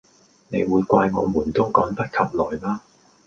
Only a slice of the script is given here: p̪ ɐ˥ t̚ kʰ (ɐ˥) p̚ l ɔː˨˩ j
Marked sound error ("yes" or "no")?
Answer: yes